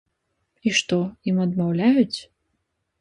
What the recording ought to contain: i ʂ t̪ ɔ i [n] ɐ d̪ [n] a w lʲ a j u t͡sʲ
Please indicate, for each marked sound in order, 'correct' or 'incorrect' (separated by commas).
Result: incorrect, incorrect